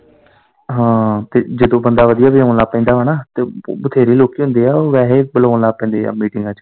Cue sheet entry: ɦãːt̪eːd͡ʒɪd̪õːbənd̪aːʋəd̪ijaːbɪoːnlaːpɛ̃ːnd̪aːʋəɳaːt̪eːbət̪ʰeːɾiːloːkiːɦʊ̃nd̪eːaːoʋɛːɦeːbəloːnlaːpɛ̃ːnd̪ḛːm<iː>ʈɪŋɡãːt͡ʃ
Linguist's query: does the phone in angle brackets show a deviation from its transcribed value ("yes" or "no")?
no